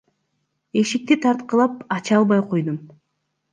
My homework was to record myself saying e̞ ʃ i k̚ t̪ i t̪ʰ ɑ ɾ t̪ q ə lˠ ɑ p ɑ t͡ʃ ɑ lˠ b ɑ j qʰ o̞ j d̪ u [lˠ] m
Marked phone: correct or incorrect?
incorrect